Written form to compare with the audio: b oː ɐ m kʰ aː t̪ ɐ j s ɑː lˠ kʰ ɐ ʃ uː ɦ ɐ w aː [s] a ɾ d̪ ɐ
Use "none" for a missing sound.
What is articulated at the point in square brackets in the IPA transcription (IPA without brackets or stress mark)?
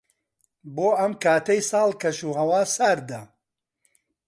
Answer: s